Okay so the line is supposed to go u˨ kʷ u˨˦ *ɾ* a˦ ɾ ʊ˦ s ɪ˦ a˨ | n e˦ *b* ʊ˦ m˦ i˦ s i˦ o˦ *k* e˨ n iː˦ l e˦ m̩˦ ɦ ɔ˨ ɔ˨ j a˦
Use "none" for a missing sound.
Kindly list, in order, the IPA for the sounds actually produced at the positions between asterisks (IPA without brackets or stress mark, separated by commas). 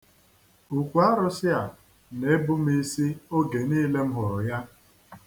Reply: none, b, ɡ